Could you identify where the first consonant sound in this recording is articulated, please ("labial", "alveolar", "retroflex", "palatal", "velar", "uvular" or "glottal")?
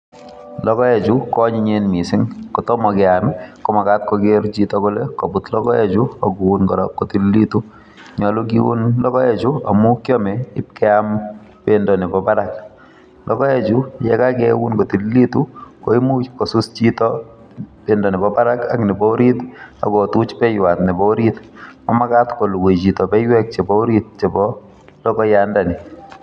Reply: alveolar